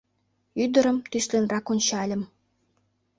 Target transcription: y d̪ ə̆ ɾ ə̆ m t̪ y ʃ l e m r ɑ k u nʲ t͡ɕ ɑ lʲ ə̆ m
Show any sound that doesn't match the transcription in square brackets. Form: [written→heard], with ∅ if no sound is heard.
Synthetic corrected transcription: y d̪ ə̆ ɾ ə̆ m t̪ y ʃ l e [m→n] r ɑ k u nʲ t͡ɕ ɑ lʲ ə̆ m

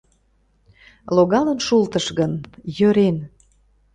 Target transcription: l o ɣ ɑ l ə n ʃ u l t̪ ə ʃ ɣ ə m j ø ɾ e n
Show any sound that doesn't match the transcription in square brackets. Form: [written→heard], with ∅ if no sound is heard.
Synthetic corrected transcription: l o ɣ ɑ l ə n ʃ u l t̪ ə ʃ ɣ ə [m→n] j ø ɾ e n

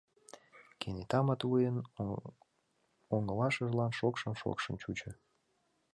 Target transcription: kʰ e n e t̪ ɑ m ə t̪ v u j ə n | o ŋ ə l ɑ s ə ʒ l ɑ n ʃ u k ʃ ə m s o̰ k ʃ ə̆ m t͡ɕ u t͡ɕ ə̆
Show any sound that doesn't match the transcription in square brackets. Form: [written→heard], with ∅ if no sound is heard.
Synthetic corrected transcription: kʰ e n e t̪ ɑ m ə t̪ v u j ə n | o ŋ ə l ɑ [s→ʃ] ə ʒ l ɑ n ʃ [u→o] k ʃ ə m [s→ʃ] o̰ k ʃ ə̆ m t͡ɕ u t͡ɕ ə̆

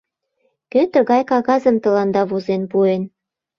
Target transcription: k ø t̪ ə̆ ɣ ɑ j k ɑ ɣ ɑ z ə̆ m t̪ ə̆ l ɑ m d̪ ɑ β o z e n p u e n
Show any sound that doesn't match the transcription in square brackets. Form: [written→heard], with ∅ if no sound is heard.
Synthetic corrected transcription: k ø t̪ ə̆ ɣ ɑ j k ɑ ɣ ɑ z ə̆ m t̪ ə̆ l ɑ [m→n] d̪ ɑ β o z e n p u e n

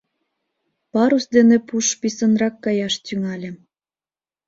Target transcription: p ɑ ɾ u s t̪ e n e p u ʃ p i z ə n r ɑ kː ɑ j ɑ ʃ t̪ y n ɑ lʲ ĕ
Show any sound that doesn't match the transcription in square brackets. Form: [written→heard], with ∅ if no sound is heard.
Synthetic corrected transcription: p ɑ ɾ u s [t̪→d̪] e n e p u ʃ p i [z→s] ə n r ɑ kː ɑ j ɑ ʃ t̪ y [n→ŋ] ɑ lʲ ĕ

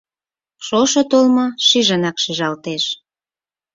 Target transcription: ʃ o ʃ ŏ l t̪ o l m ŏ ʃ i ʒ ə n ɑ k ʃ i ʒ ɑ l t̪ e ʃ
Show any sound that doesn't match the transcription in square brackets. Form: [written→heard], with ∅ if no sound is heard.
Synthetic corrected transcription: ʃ o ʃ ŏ [l→∅] t̪ o l m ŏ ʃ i ʒ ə n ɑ k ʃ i ʒ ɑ l t̪ e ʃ

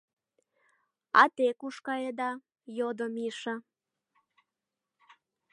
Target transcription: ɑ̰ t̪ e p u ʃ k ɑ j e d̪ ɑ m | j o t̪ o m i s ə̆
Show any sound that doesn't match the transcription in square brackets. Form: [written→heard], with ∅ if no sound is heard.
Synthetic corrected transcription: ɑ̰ t̪ e [p→k] u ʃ k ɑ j e d̪ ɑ [m→∅] | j o [t̪→d̪] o m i [s→ʃ] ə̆

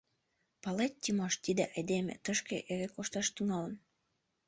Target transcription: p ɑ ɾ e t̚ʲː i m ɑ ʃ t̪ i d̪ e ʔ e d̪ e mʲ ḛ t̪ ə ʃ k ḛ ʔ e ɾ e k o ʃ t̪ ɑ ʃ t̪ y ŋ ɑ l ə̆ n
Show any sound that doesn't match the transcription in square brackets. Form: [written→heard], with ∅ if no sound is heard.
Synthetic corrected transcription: p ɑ [ɾ→l] e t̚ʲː i m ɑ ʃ t̪ i d̪ e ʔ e d̪ e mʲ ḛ t̪ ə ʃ k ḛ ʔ e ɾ e k o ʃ t̪ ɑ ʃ t̪ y ŋ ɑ l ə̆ n

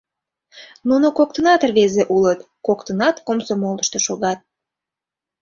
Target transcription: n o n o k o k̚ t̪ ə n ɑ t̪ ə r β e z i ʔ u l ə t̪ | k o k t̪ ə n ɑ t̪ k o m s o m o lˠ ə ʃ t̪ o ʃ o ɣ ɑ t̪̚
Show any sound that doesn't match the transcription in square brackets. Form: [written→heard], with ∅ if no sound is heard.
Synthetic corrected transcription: n [o→u] n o k o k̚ t̪ ə n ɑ t̪ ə r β e z [i→e] ʔ u l ə t̪ | k o k t̪ ə n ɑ t̪ k o m s o m o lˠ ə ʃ t̪ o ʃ o ɣ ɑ t̪̚

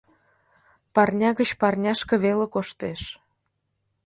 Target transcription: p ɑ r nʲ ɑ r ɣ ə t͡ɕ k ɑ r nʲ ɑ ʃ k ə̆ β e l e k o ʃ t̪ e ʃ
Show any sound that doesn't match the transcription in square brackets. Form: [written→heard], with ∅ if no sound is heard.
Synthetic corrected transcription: p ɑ r nʲ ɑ [r→∅] ɣ ə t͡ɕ [k→p] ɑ r nʲ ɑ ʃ k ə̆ β e l e k o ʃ t̪ e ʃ

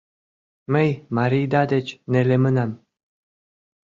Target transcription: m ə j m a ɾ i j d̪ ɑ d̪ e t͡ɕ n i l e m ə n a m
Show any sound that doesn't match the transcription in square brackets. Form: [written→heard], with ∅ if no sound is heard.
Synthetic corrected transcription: m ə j m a ɾ i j d̪ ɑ d̪ e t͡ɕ n [i→e] l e m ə n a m

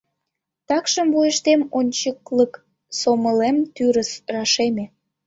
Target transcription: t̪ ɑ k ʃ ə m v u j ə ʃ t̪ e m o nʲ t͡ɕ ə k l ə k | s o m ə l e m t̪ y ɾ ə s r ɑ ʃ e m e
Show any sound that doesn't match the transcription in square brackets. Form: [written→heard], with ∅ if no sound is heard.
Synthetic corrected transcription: t̪ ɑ k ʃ ə m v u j ə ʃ t̪ e m o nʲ t͡ɕ ə k l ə k | s o m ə l e m t̪ y ɾ ə s r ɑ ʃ e m e

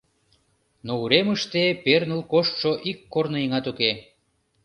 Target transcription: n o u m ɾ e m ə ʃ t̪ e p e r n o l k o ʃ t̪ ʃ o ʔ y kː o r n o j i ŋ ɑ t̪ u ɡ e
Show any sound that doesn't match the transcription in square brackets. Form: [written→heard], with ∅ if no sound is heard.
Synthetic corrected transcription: n o u [m→∅] ɾ e m ə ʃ t̪ e p e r n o l k o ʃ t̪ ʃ o ʔ [y→i] kː o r n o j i ŋ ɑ t̪ u [ɡ→k] e

